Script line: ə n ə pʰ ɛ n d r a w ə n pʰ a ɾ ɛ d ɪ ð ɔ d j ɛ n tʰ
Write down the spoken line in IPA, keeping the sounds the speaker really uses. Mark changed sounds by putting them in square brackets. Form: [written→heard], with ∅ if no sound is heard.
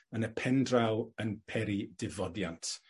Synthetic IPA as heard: ə n ə pʰ ɛ n d r a w ə n pʰ [a→ɛ] ɾ [ɛ→i] d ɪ [ð→v] ɔ d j [ɛ→a] n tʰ